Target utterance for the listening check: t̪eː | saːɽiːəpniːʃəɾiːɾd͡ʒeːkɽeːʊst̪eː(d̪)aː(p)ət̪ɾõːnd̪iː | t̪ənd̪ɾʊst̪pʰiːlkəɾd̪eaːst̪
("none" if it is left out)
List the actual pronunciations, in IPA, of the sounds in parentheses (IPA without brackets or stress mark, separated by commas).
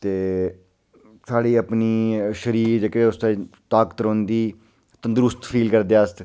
t̪, k